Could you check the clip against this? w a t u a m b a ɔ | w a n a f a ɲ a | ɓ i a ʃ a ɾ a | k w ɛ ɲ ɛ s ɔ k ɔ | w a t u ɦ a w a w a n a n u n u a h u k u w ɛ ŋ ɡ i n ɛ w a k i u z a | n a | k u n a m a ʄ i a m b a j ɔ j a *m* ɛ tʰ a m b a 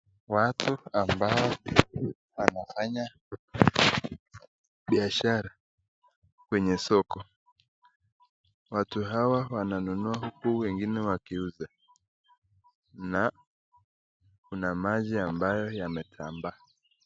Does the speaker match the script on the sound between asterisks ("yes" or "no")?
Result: yes